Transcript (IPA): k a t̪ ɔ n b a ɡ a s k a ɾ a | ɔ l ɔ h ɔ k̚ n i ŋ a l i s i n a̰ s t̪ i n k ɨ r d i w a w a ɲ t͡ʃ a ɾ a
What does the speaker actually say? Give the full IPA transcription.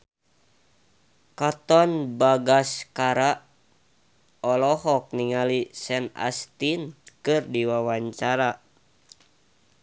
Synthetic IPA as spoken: k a t̪ ɔ n b a ɡ a s k a ɾ a | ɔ l ɔ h ɔ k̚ n i ŋ a l i s ɛ n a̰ s t̪ i n k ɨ r d i w a w a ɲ t͡ʃ a ɾ a

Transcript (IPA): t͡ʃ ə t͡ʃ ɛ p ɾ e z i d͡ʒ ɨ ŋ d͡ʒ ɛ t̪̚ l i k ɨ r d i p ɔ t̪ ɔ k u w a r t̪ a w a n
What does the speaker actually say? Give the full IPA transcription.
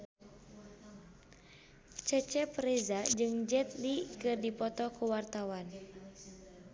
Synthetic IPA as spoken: t͡ʃ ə t͡ʃ ɛ p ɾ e z a d͡ʒ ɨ ŋ d͡ʒ ɛ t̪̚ l i k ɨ r d i p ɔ t̪ ɔ k u w a r t̪ a w a n

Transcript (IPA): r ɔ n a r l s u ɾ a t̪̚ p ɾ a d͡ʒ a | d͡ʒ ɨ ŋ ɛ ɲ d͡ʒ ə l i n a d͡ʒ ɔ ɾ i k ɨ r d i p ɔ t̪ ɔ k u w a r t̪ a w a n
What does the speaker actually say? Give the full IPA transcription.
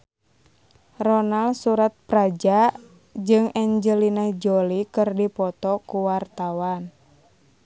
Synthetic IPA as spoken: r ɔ n a l s u ɾ a t̪̚ p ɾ a d͡ʒ a | d͡ʒ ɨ ŋ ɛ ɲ d͡ʒ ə l i n a d͡ʒ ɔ l i k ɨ r d i p ɔ t̪ ɔ k u w a r t̪ a w a n

